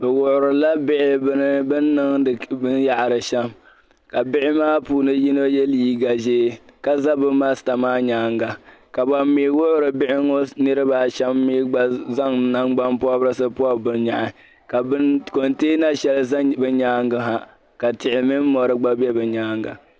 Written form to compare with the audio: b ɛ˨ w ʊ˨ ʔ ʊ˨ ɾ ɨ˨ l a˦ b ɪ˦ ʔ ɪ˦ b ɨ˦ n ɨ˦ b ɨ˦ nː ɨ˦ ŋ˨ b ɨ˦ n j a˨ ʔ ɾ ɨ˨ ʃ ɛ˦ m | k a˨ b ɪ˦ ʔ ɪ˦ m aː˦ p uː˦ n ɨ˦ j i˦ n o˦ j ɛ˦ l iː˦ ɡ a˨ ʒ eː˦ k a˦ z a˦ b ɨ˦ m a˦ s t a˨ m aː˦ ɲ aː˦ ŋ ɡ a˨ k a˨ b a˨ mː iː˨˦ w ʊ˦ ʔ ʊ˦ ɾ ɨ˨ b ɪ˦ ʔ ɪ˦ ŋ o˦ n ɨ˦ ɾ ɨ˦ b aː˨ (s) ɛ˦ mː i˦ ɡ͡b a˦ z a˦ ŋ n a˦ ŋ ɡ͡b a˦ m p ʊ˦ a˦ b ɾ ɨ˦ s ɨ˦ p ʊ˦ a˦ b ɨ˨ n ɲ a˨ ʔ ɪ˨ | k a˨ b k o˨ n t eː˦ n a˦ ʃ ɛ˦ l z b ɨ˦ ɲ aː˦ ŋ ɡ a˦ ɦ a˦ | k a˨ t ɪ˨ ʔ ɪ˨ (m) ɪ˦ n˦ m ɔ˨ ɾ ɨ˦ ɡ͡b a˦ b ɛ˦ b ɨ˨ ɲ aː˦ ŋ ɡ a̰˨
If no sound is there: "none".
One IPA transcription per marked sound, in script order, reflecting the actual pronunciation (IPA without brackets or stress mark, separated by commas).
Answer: ʃ, m